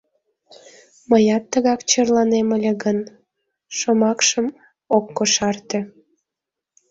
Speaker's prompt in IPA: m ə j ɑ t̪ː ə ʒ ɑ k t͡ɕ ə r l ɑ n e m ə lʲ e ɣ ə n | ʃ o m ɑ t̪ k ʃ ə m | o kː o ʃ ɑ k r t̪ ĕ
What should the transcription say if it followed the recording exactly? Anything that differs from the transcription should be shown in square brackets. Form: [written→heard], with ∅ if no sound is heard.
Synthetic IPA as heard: m ə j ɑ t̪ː ə [ʒ→ɣ] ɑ k t͡ɕ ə r l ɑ n e m ə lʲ e ɣ ə n | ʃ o m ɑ [t̪→∅] k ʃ ə m | o kː o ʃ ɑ [k→∅] r t̪ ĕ

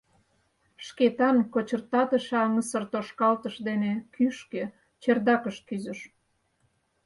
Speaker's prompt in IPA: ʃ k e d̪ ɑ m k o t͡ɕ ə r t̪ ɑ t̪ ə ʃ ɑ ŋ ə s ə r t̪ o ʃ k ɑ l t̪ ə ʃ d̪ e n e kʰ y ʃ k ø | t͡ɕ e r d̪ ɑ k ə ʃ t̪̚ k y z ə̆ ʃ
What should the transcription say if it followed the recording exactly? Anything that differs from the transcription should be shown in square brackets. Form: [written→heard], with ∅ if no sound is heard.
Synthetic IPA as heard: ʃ k e [d̪→t̪] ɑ [m→n] k o t͡ɕ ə r t̪ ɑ t̪ ə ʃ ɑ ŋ ə s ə r t̪ o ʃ k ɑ l t̪ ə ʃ d̪ e n e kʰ y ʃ k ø | t͡ɕ e r d̪ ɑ k ə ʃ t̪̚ k y z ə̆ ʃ

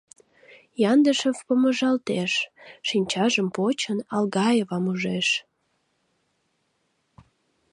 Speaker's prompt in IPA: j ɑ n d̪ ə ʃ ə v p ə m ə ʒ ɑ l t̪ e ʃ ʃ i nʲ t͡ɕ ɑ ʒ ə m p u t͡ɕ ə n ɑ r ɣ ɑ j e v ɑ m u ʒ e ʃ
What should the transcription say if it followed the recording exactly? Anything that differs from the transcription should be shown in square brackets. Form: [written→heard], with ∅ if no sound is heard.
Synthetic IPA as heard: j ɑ n d̪ ə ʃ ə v p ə m ə ʒ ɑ l t̪ e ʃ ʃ i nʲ t͡ɕ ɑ ʒ ə m p [u→o] t͡ɕ ə n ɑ [r→l] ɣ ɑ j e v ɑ m u ʒ e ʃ

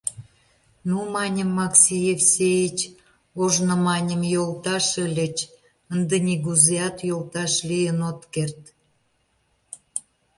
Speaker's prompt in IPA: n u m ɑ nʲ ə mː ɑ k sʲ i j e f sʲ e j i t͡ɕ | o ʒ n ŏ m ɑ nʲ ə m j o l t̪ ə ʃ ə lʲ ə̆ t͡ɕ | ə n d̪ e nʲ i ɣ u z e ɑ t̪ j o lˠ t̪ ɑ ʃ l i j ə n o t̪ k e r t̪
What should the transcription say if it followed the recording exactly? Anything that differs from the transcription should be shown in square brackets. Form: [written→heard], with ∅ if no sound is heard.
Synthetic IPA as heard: n u m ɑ nʲ ə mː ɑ k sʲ i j e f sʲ e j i t͡ɕ | o ʒ n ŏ m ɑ nʲ ə m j o l t̪ [ə→ɑ] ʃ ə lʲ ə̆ t͡ɕ | ə n d̪ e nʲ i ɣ u z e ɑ t̪ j o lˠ t̪ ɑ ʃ l i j ə n o t̪ k e r t̪

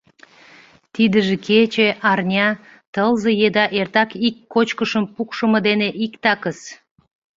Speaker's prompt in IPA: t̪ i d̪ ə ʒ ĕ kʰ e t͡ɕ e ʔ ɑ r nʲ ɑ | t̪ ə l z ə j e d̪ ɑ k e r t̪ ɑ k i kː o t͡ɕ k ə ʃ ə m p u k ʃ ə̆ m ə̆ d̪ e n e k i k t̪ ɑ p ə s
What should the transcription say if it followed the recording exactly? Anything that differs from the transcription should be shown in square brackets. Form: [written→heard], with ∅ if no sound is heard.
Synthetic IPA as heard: t̪ i d̪ ə ʒ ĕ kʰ e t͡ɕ e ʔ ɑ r nʲ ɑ | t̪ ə l z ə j e d̪ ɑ [k→ʔ] e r t̪ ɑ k i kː o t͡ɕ k ə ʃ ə m p u k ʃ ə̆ m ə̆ d̪ e n e [k→ʔ] i k t̪ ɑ [p→k] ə s

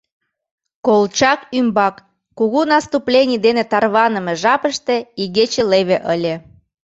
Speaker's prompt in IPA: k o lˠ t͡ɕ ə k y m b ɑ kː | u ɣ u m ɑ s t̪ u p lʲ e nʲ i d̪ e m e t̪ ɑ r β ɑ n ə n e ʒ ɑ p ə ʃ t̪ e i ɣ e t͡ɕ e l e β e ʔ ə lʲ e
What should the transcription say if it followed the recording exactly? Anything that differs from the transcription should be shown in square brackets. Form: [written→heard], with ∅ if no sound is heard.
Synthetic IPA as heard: k o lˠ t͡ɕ [ə→ɑ] k y m b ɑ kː | u ɣ u [m→n] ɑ s t̪ u p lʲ e nʲ i d̪ e [m→n] e t̪ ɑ r β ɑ n ə [n→m] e ʒ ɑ p ə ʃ t̪ e i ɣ e t͡ɕ e l e β e ʔ ə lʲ e

